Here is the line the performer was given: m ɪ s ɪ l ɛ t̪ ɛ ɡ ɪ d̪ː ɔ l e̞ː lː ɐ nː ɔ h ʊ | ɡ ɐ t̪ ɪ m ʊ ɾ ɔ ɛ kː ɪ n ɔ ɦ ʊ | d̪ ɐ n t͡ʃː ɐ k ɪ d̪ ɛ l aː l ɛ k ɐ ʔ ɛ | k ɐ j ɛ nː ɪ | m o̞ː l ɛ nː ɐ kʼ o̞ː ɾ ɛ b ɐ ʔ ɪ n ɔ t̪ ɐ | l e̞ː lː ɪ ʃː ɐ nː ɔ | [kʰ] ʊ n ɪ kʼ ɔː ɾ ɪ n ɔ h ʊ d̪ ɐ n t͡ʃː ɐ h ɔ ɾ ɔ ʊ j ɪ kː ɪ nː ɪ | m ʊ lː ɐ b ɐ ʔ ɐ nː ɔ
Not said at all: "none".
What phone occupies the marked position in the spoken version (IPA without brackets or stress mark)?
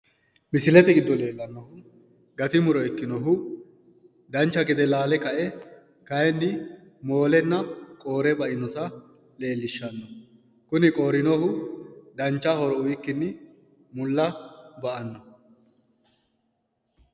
k